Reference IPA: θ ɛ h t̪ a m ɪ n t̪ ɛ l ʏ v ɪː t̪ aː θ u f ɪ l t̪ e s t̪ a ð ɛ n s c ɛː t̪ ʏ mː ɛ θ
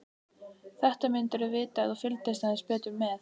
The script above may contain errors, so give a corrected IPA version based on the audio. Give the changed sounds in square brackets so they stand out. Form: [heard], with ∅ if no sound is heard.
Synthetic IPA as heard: θ ɛ h t̪ a m ɪ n t̪ ɛ [ɾ] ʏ v ɪː t̪ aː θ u f ɪ l t̪ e s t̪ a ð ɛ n s [p] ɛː t̪ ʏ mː ɛ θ